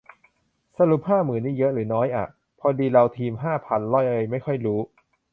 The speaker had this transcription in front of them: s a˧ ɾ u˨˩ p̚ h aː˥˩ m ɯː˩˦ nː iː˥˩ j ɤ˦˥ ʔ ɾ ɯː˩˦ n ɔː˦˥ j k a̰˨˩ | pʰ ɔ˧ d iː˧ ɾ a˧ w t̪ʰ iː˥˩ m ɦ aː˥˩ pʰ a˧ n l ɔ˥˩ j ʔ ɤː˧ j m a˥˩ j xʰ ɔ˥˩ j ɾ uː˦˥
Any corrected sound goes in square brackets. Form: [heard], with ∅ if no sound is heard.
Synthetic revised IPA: s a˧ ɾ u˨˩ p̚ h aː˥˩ m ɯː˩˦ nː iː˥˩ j ɤ˦˥ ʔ ɾ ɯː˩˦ n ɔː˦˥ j [ʔ] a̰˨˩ | pʰ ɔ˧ d iː˧ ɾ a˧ w t̪ʰ [iː˧] m ɦ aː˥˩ pʰ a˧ n l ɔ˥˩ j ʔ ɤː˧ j m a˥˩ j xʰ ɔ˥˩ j ɾ uː˦˥

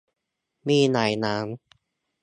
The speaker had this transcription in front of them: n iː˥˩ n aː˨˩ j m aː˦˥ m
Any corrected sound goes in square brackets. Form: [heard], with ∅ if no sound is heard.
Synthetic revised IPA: [m] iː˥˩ n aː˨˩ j [n] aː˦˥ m

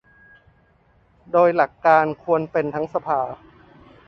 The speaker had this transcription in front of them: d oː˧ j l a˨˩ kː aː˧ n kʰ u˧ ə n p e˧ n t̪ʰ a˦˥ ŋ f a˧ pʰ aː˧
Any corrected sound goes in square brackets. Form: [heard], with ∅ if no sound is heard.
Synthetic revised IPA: d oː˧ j l a˨˩ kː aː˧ n kʰ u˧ ə n p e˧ n t̪ʰ a˦˥ ŋ [s] a˧ pʰ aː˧

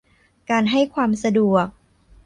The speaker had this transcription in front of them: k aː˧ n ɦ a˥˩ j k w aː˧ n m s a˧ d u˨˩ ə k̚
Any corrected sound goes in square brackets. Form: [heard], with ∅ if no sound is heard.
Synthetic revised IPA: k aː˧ n ɦ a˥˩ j [kʰ] w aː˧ [∅] m s a˧ d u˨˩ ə k̚

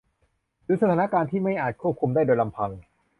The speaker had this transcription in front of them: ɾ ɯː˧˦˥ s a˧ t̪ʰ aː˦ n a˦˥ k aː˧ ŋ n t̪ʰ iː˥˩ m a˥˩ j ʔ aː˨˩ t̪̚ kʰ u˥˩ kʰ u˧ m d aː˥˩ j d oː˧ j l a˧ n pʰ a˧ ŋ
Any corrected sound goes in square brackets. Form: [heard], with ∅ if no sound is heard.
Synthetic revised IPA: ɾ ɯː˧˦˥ s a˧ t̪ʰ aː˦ n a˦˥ k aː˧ [∅] n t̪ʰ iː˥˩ m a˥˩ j ʔ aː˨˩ t̪̚ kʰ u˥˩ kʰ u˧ m d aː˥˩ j d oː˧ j l a˧ [m] pʰ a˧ ŋ

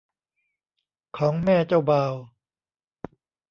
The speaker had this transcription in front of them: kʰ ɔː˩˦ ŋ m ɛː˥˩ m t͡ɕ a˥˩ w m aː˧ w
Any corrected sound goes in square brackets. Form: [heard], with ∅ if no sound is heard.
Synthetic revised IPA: kʰ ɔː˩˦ ŋ m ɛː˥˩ [∅] t͡ɕ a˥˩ w [b] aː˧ w

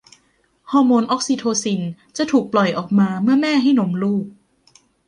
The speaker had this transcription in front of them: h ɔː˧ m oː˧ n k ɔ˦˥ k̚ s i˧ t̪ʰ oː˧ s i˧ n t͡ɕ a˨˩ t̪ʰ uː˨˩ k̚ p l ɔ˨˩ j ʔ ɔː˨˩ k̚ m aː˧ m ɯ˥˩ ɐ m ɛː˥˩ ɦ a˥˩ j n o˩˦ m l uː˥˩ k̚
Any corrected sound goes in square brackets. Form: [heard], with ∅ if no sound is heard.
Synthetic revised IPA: h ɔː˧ m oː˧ n [ʔ] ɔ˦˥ k̚ s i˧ t̪ʰ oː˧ s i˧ n t͡ɕ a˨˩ t̪ʰ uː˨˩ k̚ p l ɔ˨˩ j ʔ ɔː˨˩ k̚ m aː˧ m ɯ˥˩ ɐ m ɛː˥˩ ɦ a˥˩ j n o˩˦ m l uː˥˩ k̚

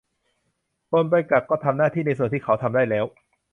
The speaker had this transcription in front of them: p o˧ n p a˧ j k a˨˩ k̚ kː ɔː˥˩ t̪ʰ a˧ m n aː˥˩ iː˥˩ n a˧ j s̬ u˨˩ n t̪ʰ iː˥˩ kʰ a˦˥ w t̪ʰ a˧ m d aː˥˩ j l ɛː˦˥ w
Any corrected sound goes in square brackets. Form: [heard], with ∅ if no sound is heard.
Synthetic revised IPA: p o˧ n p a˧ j k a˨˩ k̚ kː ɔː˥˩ t̪ʰ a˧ m n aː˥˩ iː˥˩ n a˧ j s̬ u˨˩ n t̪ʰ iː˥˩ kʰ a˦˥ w t̪ʰ a˧ m d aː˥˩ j l ɛː˦˥ w

